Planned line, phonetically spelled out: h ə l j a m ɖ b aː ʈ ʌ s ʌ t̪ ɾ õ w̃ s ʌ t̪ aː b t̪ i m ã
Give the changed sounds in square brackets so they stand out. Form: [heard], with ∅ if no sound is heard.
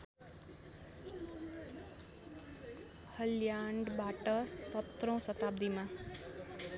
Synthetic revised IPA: h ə l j a [ɳ] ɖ b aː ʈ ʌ s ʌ t̪ ɾ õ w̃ s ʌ t̪ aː b [d̪] i m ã